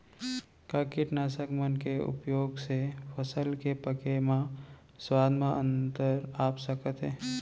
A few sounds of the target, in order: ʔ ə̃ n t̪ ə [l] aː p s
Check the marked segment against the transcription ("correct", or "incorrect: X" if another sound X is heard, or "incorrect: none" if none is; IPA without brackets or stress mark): incorrect: ɾ